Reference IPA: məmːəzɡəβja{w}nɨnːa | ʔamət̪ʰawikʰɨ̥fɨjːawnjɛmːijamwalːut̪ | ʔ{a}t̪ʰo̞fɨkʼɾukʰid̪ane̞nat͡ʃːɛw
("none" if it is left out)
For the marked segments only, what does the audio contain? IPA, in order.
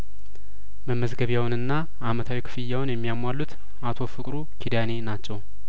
w, a

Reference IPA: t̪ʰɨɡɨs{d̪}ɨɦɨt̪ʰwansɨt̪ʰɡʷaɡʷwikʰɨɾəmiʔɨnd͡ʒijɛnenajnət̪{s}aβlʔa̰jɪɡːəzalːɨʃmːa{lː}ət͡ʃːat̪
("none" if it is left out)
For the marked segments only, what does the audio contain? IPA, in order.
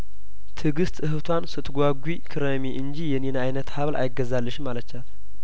t̪, h, l

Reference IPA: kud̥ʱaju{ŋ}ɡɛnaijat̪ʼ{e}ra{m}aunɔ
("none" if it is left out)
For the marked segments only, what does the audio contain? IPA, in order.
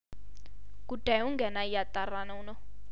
ŋ, a, n

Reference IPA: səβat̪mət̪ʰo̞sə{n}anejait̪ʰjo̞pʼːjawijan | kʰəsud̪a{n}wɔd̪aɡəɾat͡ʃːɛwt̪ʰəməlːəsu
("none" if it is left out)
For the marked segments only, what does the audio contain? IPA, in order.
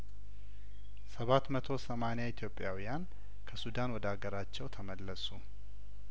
m, n

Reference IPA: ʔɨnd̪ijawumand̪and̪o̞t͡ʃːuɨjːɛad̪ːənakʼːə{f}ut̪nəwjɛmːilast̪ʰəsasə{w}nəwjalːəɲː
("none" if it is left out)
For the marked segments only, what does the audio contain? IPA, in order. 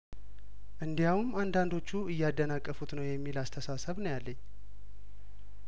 f, β

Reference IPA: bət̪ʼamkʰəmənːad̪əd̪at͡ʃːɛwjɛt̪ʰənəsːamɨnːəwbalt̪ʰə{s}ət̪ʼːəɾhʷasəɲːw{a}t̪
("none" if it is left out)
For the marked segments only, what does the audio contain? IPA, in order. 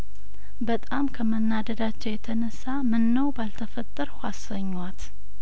f, a

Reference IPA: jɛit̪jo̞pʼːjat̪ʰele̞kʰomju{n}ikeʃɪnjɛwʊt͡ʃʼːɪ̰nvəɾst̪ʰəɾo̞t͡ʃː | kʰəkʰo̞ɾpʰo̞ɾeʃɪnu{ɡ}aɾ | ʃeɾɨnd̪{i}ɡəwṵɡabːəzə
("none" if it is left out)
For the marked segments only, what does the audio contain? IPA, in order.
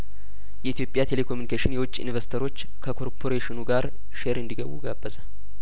n, ɡ, i

